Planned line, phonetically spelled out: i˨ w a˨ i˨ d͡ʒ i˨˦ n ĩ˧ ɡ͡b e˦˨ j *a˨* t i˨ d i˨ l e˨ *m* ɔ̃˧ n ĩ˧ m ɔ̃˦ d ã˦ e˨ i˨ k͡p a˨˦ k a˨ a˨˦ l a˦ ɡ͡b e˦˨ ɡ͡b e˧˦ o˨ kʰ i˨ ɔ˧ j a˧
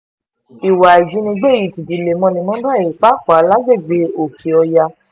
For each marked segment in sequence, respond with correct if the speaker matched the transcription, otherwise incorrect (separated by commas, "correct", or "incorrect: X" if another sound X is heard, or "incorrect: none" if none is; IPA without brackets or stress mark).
incorrect: i˨, correct